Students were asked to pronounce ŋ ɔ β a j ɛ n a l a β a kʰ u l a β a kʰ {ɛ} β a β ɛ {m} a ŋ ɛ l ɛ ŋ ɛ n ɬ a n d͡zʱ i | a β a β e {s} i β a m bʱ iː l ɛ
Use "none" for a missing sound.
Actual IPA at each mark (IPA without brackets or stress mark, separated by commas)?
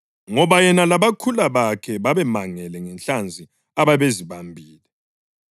ɛ, m, z